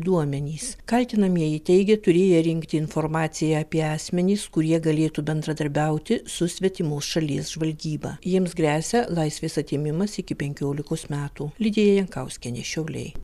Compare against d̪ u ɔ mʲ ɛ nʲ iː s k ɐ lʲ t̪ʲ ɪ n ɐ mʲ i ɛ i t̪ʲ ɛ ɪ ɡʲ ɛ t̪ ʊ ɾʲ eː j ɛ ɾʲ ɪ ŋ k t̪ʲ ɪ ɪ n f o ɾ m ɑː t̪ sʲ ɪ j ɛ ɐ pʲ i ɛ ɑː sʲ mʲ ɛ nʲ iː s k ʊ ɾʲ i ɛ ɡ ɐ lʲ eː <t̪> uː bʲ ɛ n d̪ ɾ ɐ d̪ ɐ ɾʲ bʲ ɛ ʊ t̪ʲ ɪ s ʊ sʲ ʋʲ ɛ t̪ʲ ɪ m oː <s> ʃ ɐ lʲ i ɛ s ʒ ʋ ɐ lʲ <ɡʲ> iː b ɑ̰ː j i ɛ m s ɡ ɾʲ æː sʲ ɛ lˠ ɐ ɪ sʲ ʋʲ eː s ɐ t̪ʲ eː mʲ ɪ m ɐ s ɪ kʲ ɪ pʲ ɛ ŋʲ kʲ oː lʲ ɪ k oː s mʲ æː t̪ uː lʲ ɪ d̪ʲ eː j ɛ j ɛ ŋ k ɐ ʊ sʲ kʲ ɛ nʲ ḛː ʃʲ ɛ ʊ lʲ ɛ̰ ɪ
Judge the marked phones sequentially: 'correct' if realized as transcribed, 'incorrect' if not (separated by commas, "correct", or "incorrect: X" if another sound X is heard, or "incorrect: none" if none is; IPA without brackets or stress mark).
correct, correct, correct